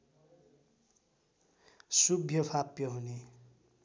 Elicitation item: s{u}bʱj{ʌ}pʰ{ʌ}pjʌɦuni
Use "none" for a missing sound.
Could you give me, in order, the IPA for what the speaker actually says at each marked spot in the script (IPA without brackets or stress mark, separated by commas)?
u, ʌ, a